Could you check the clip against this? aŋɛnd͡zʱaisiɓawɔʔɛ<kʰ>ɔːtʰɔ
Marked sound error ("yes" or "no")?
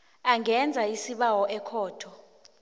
no